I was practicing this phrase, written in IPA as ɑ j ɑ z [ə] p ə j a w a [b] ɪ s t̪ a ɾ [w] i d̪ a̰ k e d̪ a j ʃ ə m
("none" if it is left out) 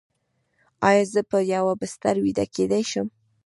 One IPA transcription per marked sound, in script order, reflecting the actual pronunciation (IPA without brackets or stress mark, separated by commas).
ə, b, w